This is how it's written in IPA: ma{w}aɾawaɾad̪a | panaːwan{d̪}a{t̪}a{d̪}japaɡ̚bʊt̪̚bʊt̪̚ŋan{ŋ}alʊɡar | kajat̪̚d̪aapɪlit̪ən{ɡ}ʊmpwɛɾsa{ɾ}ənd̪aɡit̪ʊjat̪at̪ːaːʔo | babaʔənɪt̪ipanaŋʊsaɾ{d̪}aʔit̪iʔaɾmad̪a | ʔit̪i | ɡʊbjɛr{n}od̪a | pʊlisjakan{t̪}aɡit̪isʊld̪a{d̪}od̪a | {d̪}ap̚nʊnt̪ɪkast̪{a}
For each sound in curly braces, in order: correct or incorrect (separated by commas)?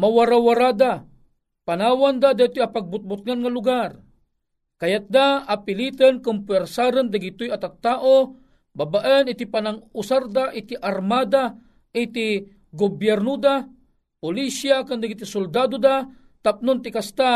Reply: correct, correct, incorrect, incorrect, correct, incorrect, correct, correct, correct, incorrect, correct, incorrect, correct